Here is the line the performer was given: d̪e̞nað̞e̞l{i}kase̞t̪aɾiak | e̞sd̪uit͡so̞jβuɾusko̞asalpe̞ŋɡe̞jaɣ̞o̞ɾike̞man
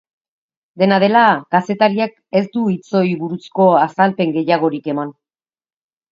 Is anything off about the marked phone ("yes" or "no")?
yes